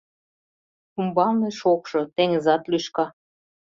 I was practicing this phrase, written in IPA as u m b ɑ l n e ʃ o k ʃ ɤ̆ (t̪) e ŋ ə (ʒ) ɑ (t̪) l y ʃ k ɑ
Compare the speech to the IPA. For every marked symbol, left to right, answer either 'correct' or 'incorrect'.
correct, incorrect, correct

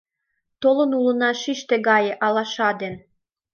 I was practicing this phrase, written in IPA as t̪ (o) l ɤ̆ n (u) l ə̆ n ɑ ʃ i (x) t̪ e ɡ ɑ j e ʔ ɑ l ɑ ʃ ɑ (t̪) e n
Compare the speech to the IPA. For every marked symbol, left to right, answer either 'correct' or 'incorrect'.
correct, correct, incorrect, incorrect

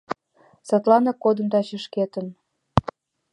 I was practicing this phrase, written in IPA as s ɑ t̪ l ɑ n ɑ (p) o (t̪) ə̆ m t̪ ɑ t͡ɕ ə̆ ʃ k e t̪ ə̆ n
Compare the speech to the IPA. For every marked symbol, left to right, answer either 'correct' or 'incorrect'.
incorrect, incorrect

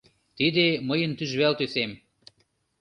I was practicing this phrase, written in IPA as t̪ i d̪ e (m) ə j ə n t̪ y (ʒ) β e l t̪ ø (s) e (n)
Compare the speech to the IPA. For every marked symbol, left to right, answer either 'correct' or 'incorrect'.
correct, correct, correct, incorrect

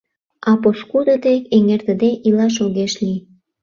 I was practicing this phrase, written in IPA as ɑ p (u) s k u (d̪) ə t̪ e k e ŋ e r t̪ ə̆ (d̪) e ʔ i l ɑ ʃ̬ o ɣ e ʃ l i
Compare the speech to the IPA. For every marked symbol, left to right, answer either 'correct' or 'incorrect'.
incorrect, correct, correct

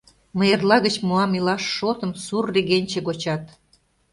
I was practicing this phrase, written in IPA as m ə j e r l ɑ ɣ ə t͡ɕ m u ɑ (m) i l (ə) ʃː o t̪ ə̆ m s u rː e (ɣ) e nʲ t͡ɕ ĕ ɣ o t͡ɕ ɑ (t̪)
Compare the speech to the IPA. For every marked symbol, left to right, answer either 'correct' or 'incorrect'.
correct, incorrect, correct, correct

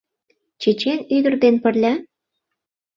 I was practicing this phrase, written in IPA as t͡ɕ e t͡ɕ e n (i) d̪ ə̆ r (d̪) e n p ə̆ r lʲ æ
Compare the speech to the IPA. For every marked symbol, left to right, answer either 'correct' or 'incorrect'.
incorrect, correct

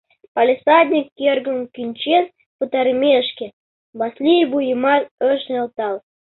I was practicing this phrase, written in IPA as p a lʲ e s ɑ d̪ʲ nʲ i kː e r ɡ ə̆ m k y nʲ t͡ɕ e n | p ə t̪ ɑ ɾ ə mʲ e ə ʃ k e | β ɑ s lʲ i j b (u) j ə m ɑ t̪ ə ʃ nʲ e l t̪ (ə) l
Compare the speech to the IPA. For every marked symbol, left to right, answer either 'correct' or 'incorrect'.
correct, incorrect

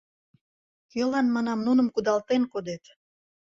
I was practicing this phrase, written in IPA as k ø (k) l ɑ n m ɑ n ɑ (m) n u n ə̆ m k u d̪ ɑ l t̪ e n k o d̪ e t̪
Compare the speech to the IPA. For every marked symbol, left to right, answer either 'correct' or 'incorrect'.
incorrect, correct

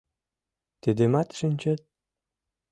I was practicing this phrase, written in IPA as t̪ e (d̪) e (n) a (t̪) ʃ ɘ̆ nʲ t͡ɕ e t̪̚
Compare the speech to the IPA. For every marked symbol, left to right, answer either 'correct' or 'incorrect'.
correct, incorrect, correct

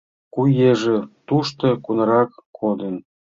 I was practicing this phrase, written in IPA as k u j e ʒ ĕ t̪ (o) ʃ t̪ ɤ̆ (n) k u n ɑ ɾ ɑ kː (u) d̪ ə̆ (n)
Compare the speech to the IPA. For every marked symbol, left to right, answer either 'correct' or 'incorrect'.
incorrect, incorrect, incorrect, correct

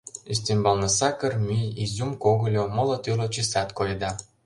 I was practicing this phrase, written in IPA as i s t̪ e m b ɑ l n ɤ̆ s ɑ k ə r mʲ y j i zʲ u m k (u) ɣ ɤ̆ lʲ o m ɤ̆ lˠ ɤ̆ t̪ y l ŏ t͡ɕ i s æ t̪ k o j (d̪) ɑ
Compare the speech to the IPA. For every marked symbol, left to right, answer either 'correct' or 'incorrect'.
incorrect, correct

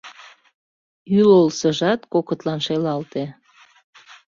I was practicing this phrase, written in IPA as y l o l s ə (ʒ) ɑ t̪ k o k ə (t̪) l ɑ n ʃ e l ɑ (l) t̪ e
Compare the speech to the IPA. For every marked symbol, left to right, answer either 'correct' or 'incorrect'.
correct, correct, correct

